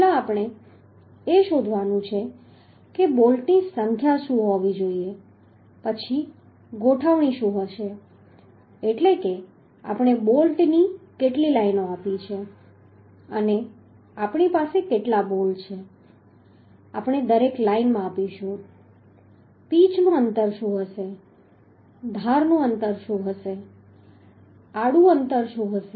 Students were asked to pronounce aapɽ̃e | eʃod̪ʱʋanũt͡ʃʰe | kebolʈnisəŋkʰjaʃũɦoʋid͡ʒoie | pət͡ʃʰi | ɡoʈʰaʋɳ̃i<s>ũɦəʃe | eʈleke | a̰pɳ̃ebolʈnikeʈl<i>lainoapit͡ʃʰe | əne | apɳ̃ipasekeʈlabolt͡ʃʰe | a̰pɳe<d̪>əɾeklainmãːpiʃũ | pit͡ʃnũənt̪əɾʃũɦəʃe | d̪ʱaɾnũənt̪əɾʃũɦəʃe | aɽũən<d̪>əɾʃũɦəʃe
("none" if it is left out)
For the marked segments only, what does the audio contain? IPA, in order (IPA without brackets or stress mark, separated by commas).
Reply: ʃ, i, d̪, t̪